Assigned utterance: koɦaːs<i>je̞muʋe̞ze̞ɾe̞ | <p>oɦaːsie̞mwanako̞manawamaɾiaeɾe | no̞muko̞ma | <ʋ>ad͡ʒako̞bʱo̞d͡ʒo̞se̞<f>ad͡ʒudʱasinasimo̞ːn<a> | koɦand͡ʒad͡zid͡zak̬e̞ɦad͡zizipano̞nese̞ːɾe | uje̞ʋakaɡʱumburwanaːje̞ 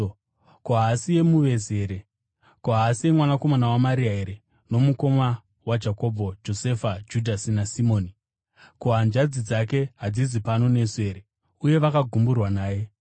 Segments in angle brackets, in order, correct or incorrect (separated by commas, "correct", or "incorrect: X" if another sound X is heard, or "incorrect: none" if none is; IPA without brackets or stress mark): correct, incorrect: k, incorrect: w, correct, incorrect: i